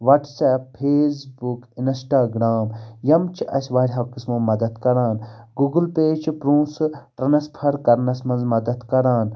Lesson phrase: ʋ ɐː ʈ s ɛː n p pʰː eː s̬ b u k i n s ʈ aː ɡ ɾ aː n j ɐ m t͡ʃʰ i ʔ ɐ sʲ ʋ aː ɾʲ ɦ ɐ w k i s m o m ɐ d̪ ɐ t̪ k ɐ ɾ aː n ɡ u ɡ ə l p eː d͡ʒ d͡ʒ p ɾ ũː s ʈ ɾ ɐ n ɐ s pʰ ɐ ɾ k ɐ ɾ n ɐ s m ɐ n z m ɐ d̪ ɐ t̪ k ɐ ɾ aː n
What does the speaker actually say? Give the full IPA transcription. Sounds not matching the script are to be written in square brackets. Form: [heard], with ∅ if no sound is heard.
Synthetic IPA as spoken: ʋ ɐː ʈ s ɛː [∅] p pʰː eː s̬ b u k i n s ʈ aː ɡ ɾ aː [m] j ɐ m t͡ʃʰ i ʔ ɐ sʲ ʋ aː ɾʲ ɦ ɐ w k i s m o m ɐ d̪ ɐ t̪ k ɐ ɾ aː n ɡ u ɡ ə l p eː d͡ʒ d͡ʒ p ɾ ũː s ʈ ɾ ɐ n ɐ s pʰ ɐ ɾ k ɐ ɾ n ɐ s m ɐ n z m ɐ d̪ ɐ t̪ k ɐ ɾ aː n